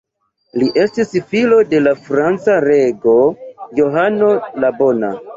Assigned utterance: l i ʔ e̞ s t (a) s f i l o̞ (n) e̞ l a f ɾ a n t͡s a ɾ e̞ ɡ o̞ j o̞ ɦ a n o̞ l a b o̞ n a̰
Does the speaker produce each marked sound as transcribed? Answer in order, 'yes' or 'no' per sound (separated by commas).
no, no